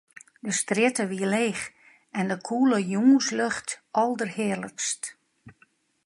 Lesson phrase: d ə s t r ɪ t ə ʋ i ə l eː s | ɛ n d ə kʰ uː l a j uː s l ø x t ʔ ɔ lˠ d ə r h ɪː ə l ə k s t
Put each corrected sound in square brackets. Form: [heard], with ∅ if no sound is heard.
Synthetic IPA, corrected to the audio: d ə s t r ɪ t ə ʋ i ə l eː [x] | ɛ n d ə kʰ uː l [ə] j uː s l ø x t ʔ ɔ lˠ d ə r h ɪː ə l ə k s t

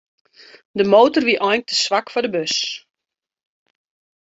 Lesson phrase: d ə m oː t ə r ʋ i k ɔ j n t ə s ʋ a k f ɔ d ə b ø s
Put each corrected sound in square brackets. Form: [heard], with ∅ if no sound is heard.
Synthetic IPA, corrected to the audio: d ə m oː t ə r ʋ i [ʔ] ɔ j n t ə s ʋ a k f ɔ d ə b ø s

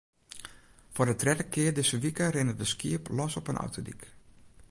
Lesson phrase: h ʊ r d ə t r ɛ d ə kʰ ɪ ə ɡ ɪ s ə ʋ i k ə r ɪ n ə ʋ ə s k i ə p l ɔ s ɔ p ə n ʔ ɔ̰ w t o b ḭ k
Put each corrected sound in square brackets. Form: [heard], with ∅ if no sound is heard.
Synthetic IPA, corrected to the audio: [f] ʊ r d ə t r ɛ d ə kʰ ɪ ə [d] ɪ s ə ʋ i k ə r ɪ n ə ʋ ə s k i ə p l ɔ s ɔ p ə n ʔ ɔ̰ w t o [d] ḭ k

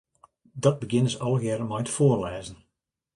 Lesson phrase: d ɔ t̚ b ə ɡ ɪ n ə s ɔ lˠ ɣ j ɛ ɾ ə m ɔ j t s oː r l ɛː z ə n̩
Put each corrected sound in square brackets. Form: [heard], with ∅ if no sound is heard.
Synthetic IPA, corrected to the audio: d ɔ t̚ b ə ɡ ɪ n ə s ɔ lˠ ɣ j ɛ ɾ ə m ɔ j t [f] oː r l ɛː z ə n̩

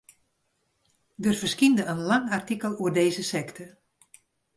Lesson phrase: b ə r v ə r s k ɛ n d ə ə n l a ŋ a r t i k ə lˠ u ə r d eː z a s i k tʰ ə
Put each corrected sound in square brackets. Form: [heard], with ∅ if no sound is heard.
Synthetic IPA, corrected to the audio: [d] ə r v ə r s k [i] n d ə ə n l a ŋ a r t i k ə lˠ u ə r d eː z [ə] s [ɛ] k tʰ ə

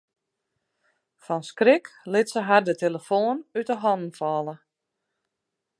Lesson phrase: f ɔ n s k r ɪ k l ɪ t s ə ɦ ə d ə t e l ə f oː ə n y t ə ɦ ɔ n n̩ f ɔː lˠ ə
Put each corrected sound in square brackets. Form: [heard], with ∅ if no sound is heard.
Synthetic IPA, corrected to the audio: f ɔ n s k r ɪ k l ɪ t s ə ɦ [a] d ə t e l ə f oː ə n y t ə ɦ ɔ n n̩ f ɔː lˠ ə

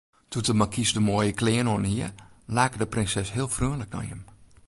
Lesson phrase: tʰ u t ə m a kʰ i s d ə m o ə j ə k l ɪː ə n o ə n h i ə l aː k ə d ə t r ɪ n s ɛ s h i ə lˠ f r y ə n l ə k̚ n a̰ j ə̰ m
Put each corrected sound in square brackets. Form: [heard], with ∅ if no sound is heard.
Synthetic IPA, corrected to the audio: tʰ u t ə m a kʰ i s d ə m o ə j ə k l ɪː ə n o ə n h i ə l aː k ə d ə [p] r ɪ n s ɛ s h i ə lˠ f r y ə n l ə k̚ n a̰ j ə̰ m

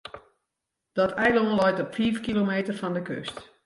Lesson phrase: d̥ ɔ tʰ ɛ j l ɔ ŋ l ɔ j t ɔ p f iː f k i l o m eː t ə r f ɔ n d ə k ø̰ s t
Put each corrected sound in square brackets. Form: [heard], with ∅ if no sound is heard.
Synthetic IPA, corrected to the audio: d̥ ɔ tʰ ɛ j l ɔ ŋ l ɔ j t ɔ p f iː f k i l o m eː t ə r f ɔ n d ə k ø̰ s t

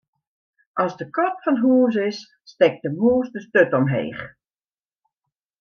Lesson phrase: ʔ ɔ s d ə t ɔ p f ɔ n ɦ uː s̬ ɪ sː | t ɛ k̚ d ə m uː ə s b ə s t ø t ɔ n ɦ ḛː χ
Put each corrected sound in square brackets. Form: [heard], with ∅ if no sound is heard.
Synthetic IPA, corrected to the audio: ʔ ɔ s d ə [k] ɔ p f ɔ n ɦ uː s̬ ɪ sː | t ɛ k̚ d ə m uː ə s [d] ə s t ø t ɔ [m] ɦ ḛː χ

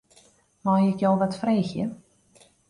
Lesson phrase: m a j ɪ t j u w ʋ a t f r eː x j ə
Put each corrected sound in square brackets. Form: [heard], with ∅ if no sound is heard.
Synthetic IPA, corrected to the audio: m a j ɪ [k] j [o] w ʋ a t f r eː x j ə

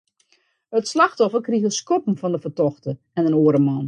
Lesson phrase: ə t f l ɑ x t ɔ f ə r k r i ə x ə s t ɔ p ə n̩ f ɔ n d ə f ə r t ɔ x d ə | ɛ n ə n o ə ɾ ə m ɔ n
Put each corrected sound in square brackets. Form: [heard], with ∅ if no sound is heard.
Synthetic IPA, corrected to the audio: ə t [s] l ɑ x t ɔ f ə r k r i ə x ə s [k] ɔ p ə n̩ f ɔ n d ə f ə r t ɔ x [t] ə | ɛ n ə n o ə ɾ ə m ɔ n

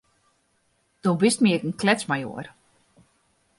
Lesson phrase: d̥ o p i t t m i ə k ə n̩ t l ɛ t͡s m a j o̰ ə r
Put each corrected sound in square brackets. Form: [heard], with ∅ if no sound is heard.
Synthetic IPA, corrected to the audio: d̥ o [b] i [s] t m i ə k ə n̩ [k] l ɛ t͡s m a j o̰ ə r

